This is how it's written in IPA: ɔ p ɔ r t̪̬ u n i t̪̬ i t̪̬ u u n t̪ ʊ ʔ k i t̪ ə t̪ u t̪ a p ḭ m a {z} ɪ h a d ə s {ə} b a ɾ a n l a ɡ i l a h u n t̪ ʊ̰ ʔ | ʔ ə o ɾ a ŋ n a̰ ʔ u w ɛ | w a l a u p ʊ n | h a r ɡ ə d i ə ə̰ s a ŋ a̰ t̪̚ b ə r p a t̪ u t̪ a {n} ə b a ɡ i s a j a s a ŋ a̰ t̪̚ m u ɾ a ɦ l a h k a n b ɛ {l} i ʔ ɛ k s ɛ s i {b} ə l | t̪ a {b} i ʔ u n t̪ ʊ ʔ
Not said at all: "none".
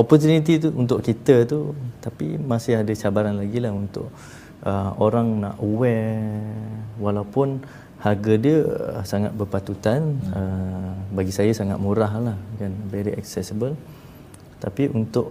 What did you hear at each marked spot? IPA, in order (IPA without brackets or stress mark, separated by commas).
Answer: s, a, n, ɾ, b, p